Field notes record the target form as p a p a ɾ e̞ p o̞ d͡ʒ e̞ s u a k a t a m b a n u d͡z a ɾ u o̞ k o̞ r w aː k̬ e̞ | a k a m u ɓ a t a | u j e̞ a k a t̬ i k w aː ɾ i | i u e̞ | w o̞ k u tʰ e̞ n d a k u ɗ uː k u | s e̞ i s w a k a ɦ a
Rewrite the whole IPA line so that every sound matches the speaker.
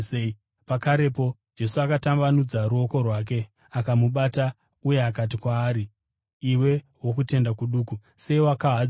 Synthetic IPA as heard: p a k a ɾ e̞ p o̞ d͡ʒ e̞ s u a k a t a m b a n u d͡z a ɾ u o̞ k o̞ r w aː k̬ e̞ | a k a m u ɓ a t a | u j e̞ a k a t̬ i k w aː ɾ i | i w e̞ | w o̞ k u t e̞ n d a k u ɗ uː k u | s e̞ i w a k a ɦ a